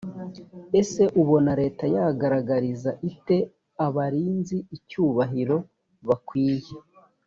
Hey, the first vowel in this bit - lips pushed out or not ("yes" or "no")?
no